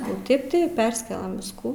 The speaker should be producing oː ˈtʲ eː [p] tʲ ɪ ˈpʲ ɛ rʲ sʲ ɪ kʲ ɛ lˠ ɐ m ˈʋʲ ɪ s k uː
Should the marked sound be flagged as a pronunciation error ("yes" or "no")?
no